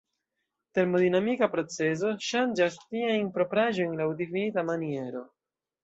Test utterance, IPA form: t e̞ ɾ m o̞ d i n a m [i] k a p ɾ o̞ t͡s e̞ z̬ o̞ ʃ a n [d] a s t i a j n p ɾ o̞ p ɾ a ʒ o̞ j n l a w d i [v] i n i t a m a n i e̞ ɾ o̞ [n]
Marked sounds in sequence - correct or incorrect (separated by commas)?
correct, incorrect, incorrect, incorrect